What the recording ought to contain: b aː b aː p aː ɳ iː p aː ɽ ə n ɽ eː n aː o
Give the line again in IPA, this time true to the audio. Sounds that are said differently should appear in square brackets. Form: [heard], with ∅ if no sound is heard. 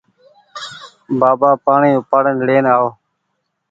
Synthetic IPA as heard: b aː b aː p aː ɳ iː p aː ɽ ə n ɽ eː n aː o

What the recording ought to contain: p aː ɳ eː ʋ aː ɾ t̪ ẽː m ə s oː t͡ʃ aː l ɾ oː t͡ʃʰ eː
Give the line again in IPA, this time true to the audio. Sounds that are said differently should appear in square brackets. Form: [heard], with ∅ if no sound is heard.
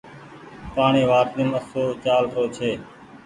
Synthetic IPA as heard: p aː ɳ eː ʋ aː ɾ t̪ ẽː m ə s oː t͡ʃ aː l ɾ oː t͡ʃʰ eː

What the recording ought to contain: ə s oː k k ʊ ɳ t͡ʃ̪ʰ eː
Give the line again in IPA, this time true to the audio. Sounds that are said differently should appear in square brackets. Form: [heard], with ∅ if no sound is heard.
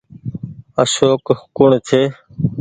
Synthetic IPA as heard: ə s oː k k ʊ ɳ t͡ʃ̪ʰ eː

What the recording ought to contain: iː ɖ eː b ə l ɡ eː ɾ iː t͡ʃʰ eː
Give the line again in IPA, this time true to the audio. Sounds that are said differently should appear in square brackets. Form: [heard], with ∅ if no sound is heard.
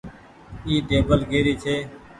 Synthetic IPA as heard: iː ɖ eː b ə l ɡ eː ɾ iː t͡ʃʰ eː

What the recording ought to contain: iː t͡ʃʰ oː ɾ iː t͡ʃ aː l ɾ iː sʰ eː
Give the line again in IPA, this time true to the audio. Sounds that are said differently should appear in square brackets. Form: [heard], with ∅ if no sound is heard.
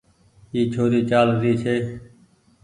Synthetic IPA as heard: iː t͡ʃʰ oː ɾ iː t͡ʃ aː l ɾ iː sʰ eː

